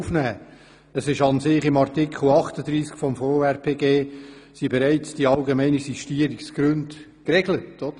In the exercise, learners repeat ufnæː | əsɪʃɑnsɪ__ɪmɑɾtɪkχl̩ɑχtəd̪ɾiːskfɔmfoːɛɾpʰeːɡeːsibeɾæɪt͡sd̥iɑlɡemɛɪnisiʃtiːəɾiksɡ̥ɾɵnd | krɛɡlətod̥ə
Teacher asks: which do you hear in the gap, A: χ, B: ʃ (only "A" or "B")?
A